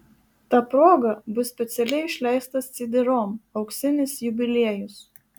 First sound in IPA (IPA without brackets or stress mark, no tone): t̪